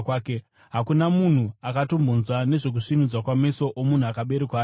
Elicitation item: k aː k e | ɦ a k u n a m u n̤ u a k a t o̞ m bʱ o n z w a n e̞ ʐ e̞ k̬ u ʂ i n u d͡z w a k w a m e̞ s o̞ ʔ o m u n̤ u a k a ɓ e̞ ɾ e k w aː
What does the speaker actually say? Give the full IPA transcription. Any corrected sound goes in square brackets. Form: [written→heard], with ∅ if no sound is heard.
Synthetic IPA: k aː k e | ɦ a k u n a m u n̤ u a k a t o̞ m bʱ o n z w a n e̞ ʐ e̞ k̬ u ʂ i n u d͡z w a k w a m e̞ s o̞ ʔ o m u n̤ u a k a ɓ e̞ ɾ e k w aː

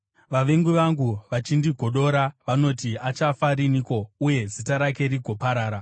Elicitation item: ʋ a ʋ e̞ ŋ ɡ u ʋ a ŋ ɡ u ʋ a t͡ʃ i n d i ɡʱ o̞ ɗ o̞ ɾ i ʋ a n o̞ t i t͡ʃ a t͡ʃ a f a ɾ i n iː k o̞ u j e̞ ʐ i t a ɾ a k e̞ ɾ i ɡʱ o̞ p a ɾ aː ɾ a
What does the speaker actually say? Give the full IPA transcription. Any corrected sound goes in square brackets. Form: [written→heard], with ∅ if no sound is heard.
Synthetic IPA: ʋ a ʋ e̞ ŋ ɡ u ʋ a ŋ ɡ u ʋ a t͡ʃ i n d i ɡʱ o̞ ɗ o̞ ɾ [i→a] ʋ a n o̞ t i [t͡ʃ→∅] a t͡ʃ a f a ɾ i n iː k o̞ u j e̞ [ʐ→z] i t a ɾ a k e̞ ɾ i ɡʱ o̞ p a ɾ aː ɾ a

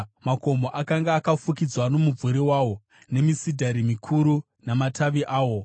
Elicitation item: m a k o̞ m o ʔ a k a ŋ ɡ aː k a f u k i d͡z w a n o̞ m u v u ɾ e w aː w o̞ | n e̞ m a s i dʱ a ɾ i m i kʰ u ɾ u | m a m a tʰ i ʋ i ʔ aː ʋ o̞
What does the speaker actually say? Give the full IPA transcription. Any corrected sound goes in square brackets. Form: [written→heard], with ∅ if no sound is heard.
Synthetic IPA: m a k o̞ m o ʔ a k a ŋ ɡ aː k a f u k i d͡z w a n o̞ m u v u ɾ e w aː w o̞ | n e̞ m [a→i] s i dʱ a ɾ i m i kʰ u ɾ u | [m→n] a m a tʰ [i→a] ʋ i ʔ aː [ʋ→w] o̞

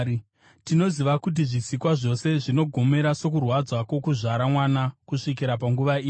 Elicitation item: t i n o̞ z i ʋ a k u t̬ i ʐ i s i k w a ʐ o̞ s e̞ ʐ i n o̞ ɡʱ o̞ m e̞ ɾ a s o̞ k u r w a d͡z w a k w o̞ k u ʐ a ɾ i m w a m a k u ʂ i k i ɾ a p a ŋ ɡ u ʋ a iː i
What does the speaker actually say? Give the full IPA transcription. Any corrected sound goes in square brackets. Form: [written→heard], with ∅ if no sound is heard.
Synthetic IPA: t i n o̞ z i ʋ a k u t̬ i ʐ i s i k w a ʐ o̞ s e̞ ʐ i n o̞ ɡʱ o̞ m e̞ ɾ a s o̞ k u r w a d͡z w a k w o̞ k u ʐ a ɾ [i→a] m w a [m→n] a k u ʂ i k i ɾ a p a ŋ ɡ u ʋ a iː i

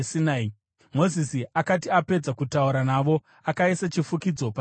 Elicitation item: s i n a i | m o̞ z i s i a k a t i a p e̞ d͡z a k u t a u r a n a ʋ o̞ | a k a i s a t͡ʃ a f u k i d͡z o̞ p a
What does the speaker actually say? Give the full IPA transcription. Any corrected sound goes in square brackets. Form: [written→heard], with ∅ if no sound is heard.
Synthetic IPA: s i n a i | m o̞ z i s i a k a t i a p e̞ d͡z a k u t a u [r→ɾ] a n a ʋ o̞ | a k a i s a t͡ʃ [a→i] f u k i d͡z o̞ p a

